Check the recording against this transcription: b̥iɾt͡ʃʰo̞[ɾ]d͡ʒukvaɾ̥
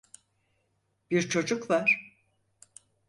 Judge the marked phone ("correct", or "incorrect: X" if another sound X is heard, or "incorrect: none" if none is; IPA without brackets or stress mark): incorrect: none